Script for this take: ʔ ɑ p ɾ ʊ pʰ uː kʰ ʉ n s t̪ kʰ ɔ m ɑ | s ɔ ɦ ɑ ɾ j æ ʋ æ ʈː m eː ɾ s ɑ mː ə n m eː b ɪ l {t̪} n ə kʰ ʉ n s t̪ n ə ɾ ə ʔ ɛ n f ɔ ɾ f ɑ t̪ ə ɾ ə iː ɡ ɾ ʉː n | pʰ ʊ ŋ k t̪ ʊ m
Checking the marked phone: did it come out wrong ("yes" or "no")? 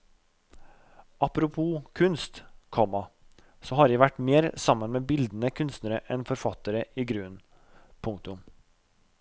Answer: yes